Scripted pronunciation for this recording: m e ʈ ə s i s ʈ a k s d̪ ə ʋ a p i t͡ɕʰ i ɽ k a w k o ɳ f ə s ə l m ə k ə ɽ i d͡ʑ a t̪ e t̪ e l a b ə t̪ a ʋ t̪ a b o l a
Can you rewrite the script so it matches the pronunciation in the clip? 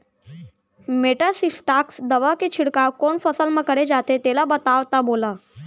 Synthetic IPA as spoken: m e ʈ ə s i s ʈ a k s d̪ ə ʋ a k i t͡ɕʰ i ɽ k a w k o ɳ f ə s ə l m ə k ə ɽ e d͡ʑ a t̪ e t̪ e l a b ə t̪ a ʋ t̪ a b o l a